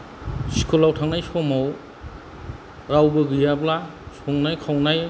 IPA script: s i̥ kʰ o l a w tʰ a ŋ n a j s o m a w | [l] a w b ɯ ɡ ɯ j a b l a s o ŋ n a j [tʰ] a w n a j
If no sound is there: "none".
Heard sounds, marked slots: ɾ, kʰ

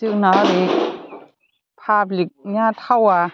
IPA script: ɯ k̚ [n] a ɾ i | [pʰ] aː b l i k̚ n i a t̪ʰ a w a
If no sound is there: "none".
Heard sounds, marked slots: n, pʰ

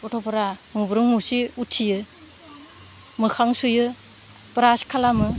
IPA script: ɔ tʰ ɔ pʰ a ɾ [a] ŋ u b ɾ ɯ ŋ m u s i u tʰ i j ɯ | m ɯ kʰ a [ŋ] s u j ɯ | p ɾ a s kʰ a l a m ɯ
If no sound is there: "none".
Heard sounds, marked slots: a, ŋ

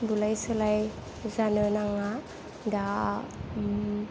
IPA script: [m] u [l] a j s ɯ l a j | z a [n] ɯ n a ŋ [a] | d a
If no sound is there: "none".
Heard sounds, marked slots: b, l, n, a

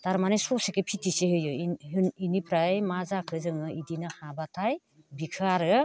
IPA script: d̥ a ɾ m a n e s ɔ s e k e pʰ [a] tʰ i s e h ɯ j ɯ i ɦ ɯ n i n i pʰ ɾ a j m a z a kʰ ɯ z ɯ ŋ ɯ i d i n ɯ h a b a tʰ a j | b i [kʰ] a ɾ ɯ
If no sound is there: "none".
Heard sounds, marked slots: i, kʰ

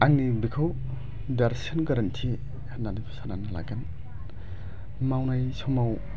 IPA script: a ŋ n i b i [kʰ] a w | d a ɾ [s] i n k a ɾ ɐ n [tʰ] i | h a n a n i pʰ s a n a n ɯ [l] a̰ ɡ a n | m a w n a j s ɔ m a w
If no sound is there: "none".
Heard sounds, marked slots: kʰ, s, tʰ, l

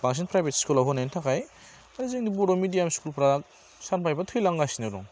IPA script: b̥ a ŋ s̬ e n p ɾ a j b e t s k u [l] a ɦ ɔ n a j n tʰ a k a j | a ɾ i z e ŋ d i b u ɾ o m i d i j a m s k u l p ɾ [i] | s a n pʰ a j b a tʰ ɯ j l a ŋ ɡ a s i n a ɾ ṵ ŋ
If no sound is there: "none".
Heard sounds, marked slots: l, a

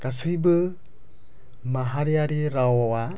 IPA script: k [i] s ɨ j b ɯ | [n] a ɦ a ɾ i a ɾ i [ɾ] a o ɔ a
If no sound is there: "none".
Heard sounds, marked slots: a, m, ɾ

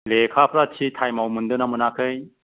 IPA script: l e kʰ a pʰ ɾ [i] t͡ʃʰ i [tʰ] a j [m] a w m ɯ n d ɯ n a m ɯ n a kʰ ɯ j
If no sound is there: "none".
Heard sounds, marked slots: a, tʰ, m

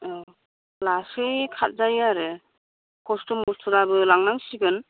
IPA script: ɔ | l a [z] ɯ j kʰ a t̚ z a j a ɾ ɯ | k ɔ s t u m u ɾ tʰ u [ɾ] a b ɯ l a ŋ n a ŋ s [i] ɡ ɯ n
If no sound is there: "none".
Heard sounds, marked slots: s, ɾ, i

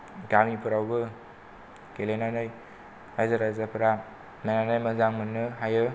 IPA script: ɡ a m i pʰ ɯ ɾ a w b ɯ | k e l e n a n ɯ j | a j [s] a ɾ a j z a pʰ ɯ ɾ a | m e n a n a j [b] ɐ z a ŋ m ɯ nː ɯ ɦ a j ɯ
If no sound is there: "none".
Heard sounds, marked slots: z, m

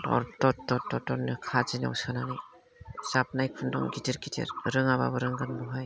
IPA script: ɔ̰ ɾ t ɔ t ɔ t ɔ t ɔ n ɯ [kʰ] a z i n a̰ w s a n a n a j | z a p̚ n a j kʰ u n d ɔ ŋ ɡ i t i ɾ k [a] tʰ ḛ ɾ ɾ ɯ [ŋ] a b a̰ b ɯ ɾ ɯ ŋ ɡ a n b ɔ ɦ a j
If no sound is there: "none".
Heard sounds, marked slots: kʰ, i, ŋ

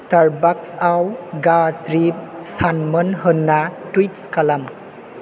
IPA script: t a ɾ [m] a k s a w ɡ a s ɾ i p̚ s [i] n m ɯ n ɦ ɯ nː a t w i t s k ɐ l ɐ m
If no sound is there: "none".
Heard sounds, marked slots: b, a

